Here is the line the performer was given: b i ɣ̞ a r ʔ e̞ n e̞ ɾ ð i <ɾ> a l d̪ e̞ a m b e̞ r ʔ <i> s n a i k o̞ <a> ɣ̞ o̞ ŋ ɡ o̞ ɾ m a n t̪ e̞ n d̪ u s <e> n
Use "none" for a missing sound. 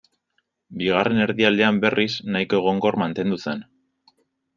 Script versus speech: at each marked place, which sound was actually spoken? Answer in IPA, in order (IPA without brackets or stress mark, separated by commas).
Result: none, i, e, e